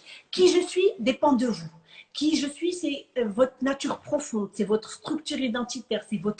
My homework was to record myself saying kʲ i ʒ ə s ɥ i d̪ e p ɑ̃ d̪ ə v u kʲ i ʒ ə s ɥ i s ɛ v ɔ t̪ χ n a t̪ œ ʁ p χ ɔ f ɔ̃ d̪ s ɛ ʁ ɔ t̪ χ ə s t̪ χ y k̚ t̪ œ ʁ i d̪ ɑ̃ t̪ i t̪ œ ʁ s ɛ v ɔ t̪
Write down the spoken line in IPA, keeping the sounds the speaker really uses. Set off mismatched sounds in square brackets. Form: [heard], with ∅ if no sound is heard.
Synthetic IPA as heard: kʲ i ʒ ə s ɥ i d̪ e p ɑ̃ d̪ ə v u kʲ i ʒ ə s ɥ i s ɛ v ɔ t̪ χ n a t̪ [y] ʁ p χ ɔ f ɔ̃ d̪ s ɛ [v] ɔ t̪ χ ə s t̪ χ y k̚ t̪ [y] ʁ i d̪ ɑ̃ t̪ i t̪ [ɛ] ʁ s ɛ v ɔ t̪